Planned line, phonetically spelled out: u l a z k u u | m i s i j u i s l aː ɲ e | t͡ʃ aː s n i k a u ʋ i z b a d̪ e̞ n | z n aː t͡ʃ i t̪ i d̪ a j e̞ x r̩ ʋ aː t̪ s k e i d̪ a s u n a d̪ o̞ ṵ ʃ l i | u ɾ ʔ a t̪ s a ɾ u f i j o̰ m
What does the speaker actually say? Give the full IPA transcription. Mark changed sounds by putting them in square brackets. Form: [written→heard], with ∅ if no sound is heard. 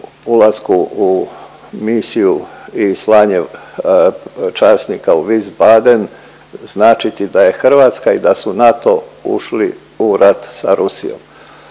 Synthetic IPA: u l a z k u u | m i s i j u i s l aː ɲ e | t͡ʃ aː s n i k a u ʋ i z b a d̪ e̞ n | z n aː t͡ʃ i t̪ i d̪ a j e̞ x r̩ ʋ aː t̪ s k [e→a] i d̪ a s u n a [d̪→t̪] o̞ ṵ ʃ l i | u ɾ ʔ a t̪ s a ɾ u [f→s] i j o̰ m